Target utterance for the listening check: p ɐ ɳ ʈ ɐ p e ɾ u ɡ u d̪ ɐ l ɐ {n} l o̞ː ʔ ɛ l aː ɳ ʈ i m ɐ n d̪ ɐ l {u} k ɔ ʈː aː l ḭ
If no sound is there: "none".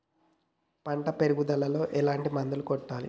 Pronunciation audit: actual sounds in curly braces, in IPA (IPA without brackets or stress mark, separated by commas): none, u